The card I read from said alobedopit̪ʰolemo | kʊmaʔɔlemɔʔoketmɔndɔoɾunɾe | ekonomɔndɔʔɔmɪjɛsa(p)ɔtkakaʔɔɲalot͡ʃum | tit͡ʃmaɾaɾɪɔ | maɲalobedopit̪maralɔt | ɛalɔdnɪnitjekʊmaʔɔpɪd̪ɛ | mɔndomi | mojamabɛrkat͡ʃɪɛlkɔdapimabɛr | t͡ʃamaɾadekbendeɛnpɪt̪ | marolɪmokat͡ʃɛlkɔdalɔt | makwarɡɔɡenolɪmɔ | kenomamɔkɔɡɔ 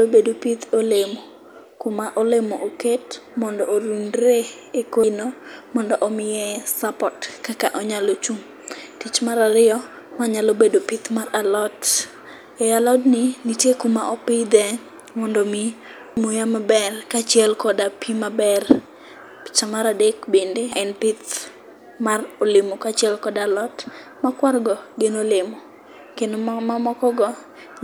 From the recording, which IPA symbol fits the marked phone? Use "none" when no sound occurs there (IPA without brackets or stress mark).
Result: p